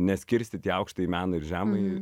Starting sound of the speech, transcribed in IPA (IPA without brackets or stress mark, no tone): nʲ